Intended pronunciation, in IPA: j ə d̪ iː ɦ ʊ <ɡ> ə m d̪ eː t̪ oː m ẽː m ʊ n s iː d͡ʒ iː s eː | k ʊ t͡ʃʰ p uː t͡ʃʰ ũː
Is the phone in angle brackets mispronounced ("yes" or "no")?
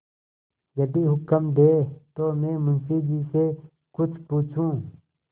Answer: yes